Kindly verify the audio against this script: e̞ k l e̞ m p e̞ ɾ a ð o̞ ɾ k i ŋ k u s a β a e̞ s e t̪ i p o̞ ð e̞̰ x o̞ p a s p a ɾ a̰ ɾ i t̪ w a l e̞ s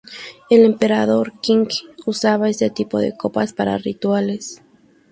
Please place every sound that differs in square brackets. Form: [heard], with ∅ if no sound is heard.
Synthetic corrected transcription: e̞ [∅] l e̞ m p e̞ ɾ a ð o̞ ɾ k i ŋ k u s a β a e̞ s e t̪ i p o̞ ð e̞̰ [k] o̞ p a s p a ɾ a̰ [r] i t̪ w a l e̞ s